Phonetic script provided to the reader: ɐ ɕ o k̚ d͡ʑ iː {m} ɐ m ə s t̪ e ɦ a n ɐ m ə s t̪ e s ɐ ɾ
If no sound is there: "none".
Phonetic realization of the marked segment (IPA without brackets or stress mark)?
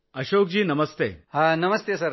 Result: n